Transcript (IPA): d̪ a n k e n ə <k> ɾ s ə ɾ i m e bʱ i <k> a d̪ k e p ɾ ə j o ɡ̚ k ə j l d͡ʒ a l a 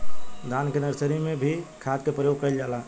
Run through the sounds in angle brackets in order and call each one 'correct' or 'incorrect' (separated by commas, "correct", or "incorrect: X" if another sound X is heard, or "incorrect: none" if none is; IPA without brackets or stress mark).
incorrect: none, incorrect: kʰ